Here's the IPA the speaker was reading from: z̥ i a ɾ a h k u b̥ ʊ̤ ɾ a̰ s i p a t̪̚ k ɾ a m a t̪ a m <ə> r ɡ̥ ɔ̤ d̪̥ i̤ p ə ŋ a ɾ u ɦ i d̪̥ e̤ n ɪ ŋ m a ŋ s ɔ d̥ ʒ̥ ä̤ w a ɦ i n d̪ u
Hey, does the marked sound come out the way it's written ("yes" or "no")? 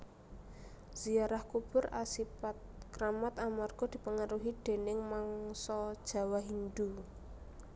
no